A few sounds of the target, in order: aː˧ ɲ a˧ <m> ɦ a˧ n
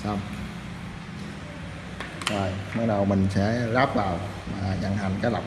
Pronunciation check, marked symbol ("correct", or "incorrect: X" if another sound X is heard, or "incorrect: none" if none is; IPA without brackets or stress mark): incorrect: ŋ